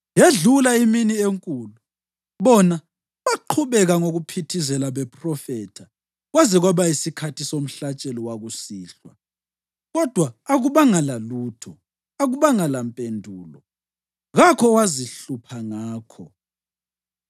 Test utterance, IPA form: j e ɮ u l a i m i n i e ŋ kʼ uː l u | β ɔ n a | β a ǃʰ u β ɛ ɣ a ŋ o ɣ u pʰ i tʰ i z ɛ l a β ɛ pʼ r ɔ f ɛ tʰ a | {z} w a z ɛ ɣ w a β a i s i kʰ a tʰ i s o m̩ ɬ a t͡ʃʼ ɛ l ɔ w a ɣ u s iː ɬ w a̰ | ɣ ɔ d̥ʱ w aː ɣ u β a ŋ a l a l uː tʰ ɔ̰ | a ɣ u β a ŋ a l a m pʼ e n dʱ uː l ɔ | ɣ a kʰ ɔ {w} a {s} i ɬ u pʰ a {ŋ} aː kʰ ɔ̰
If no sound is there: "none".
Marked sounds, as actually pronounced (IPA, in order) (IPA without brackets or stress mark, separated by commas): ɣ, w, z, ŋ